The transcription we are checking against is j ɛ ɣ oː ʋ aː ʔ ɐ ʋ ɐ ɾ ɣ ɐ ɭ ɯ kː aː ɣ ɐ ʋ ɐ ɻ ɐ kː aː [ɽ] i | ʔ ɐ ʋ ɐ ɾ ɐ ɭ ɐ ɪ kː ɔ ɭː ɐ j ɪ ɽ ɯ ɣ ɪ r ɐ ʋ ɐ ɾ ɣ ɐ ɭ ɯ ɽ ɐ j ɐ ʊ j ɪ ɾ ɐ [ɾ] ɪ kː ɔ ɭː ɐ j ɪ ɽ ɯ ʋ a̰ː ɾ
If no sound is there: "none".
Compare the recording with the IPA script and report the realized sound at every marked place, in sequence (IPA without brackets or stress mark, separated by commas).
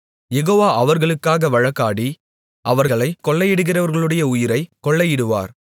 ɽ, none